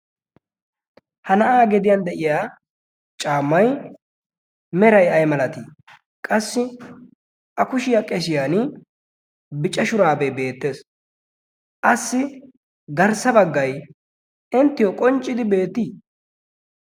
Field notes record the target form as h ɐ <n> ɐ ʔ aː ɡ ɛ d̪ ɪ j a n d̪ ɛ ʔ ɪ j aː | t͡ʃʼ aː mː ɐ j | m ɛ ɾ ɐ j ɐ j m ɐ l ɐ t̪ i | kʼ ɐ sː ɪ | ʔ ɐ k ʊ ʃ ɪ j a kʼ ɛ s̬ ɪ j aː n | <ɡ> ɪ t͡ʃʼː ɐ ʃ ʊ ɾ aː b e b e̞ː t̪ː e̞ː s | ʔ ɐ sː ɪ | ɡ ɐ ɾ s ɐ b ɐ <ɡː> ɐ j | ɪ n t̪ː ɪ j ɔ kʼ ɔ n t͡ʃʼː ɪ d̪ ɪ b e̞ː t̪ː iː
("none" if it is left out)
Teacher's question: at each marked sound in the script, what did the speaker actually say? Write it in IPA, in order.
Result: n, b, ɡː

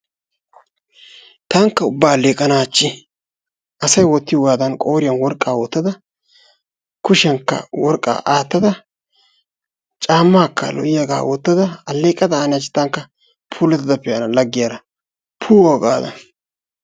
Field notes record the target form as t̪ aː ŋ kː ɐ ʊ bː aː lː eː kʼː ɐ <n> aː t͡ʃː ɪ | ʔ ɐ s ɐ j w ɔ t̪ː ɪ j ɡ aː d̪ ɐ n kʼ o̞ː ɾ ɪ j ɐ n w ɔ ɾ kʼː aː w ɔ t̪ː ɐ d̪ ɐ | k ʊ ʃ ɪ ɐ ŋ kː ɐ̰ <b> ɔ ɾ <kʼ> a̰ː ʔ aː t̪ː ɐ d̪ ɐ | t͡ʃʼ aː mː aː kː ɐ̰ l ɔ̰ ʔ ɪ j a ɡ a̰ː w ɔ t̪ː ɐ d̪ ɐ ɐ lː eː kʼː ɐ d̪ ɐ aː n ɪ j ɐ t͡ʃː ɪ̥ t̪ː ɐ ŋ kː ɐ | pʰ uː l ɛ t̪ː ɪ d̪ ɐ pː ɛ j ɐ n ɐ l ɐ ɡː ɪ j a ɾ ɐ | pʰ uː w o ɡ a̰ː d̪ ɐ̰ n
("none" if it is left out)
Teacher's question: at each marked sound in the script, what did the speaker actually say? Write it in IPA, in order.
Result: n, w, kʼ

